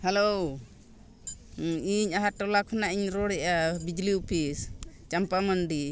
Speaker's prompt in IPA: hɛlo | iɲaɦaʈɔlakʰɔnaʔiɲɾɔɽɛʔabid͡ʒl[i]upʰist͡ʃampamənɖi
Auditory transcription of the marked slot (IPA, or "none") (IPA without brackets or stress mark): i